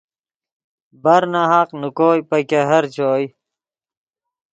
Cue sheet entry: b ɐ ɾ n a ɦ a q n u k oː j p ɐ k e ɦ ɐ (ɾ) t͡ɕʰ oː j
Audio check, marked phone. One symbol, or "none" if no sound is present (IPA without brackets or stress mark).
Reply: ɾ